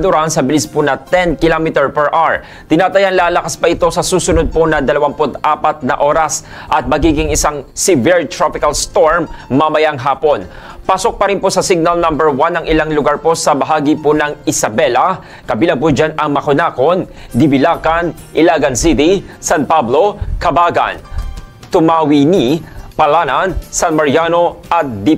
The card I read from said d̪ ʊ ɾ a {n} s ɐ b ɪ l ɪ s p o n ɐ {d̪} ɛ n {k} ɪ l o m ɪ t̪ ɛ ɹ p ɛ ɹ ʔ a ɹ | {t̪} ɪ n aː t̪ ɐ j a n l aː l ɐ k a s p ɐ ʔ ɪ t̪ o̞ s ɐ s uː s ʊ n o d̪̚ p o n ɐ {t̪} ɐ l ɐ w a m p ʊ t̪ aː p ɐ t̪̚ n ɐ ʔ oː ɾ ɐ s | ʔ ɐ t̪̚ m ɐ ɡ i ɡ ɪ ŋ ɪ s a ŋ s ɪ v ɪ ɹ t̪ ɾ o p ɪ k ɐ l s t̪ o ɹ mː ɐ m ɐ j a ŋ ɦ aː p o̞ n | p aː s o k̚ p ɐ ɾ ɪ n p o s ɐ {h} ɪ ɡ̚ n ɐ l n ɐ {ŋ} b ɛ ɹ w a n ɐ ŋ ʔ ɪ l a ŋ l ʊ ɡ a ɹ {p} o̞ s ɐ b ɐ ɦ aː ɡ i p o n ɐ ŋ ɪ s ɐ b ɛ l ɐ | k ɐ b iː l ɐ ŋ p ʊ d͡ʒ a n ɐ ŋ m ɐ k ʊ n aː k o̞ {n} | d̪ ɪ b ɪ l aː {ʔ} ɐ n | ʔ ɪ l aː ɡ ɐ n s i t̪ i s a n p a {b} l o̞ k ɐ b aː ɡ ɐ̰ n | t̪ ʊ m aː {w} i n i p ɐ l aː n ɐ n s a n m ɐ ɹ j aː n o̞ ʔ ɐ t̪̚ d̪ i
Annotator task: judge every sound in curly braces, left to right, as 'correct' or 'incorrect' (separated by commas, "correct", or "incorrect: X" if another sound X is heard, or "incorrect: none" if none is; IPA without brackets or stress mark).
correct, incorrect: t̪, correct, correct, incorrect: d̪, incorrect: s, incorrect: m, correct, correct, incorrect: k, correct, correct